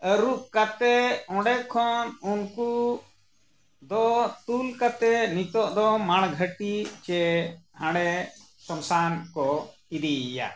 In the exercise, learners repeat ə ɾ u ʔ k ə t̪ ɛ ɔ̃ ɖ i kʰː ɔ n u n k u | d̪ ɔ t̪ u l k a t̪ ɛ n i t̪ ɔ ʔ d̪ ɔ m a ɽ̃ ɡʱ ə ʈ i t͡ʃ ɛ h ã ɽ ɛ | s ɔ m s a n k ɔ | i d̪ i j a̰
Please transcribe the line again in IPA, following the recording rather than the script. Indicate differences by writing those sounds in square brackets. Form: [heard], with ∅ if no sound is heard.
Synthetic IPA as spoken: ə ɾ u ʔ k [a] t̪ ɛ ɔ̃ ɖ [ɛ] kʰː ɔ n u n k u | d̪ ɔ t̪ u l k a t̪ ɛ n i t̪ ɔ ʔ d̪ ɔ m a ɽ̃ ɡʱ ə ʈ i t͡ʃ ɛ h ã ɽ ɛ | s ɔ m s a n k ɔ | i d̪ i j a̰